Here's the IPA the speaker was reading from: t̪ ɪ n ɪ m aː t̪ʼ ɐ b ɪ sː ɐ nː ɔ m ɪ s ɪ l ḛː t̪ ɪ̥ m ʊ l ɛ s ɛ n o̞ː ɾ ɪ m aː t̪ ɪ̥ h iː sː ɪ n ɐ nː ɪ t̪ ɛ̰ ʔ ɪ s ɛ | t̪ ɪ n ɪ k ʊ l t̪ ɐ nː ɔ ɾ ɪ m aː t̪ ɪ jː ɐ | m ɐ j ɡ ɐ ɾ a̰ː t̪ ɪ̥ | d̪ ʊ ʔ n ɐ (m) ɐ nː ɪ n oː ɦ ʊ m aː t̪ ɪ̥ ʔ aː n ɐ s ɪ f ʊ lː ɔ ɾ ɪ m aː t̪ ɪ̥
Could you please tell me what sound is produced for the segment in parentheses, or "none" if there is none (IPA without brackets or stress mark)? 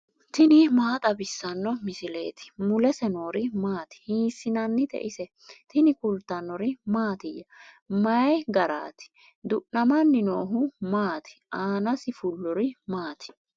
m